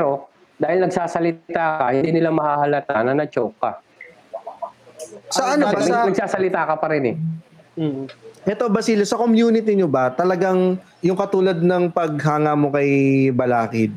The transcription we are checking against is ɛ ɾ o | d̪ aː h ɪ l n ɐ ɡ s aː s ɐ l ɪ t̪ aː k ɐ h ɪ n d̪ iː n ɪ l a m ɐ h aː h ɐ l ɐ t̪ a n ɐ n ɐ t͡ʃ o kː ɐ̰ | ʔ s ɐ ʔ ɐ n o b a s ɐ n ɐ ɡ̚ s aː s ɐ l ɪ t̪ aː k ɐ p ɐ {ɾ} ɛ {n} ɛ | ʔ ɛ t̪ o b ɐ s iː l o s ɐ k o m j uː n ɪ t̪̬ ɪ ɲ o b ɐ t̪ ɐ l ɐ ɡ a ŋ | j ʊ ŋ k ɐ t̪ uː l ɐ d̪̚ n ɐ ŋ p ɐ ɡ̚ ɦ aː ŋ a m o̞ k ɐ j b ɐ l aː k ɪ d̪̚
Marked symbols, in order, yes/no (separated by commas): yes, yes